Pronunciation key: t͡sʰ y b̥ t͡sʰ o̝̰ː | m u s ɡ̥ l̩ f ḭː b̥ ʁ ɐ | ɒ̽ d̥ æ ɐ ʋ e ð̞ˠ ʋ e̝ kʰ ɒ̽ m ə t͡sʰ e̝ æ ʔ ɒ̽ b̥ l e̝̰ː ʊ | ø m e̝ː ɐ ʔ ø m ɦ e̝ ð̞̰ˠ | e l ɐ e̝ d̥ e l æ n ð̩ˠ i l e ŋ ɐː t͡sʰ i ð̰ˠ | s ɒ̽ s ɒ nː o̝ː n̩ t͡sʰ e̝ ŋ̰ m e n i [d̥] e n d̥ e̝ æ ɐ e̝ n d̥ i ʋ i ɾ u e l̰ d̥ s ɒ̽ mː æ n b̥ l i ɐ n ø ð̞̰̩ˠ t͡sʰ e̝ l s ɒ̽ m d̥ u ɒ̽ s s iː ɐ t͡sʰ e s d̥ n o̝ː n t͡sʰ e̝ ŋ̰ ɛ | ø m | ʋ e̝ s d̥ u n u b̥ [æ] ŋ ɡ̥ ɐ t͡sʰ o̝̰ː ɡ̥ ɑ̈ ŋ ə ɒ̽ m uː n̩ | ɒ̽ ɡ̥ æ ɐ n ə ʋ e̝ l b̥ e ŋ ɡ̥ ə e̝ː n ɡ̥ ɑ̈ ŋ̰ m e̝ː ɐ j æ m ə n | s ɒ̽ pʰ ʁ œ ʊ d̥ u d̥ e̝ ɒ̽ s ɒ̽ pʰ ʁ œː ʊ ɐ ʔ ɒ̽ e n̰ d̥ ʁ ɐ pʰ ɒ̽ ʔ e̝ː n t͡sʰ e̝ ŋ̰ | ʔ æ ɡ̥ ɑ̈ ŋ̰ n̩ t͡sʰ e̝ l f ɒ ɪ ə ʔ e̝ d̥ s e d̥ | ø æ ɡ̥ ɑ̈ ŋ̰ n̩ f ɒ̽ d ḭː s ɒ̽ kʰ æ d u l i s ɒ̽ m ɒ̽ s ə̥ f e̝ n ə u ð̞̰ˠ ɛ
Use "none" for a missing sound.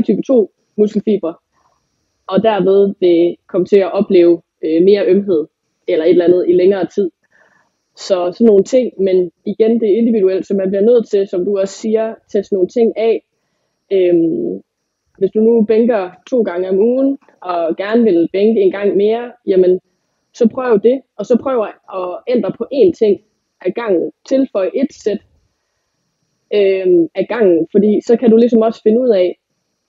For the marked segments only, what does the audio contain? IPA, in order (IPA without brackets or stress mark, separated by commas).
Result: ɡ̥, e